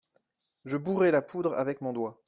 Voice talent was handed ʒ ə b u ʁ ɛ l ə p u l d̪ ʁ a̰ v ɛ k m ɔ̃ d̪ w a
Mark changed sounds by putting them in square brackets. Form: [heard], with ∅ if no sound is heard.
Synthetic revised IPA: ʒ ə b u ʁ ɛ l [a] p u [∅] d̪ ʁ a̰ v ɛ k m ɔ̃ d̪ w a